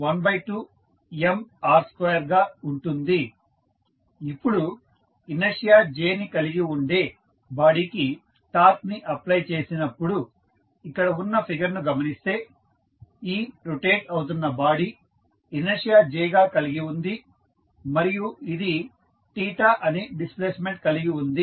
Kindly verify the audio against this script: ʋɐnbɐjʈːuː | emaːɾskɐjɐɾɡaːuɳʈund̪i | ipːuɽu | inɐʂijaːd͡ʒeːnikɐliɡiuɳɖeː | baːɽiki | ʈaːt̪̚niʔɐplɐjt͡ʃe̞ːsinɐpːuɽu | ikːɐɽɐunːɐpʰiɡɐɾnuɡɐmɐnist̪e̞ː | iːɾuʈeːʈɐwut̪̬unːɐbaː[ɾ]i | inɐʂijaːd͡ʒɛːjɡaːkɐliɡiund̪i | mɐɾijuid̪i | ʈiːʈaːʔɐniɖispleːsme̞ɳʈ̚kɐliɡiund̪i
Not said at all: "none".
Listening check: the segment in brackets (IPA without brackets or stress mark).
ɽ